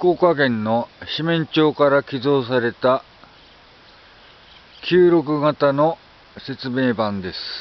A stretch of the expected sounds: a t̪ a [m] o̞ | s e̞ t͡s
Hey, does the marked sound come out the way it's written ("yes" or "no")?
no